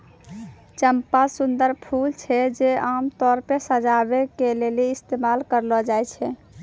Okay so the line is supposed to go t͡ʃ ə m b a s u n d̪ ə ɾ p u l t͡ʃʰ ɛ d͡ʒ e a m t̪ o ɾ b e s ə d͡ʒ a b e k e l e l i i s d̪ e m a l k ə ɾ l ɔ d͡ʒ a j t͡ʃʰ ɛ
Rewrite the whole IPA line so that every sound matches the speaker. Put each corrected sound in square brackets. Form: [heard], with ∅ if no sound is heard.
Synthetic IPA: t͡ʃ ə m [p] a s u n d̪ ə ɾ [pʰ] u l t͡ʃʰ ɛ d͡ʒ e a m t̪ [ɔ] ɾ [p] e s ə d͡ʒ a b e k e l e l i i s [t̪] e m a l k ə ɾ l ɔ d͡ʒ a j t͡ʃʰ ɛ